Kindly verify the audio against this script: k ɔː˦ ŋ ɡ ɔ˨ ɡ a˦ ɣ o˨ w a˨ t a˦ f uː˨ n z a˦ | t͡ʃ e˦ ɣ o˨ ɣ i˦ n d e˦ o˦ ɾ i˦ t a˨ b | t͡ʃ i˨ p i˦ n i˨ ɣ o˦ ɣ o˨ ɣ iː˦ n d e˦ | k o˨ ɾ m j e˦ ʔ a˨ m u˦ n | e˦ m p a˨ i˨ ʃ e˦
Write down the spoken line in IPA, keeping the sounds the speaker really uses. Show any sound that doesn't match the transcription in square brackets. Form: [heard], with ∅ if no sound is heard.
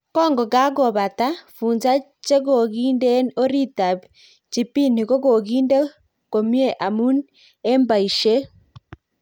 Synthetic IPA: k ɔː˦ ŋ ɡ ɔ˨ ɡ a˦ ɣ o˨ [β] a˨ t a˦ f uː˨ n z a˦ | t͡ʃ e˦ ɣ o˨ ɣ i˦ n d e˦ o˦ ɾ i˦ t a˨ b | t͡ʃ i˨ p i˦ n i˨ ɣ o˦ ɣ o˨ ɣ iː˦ n d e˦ | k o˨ [∅] m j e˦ ʔ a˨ m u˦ n | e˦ m [b] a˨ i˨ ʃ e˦